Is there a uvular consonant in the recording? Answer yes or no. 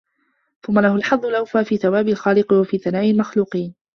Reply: yes